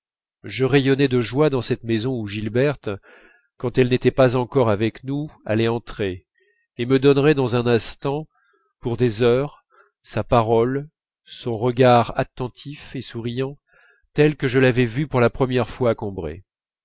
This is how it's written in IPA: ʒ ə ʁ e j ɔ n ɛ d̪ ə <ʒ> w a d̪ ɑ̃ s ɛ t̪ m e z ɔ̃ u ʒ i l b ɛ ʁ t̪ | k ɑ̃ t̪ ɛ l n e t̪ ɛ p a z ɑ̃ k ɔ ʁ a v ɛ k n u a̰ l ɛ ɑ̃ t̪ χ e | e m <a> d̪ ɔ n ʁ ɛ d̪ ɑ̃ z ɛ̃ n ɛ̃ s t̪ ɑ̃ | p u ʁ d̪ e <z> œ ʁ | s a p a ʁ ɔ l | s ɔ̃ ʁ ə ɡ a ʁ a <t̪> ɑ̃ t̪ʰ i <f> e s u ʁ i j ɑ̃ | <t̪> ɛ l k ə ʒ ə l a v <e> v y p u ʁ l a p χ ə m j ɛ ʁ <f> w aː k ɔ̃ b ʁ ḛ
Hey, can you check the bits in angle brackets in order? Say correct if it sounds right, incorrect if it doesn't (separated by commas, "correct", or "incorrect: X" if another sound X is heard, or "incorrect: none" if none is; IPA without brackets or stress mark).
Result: correct, incorrect: ə, correct, correct, correct, correct, incorrect: ɛ, correct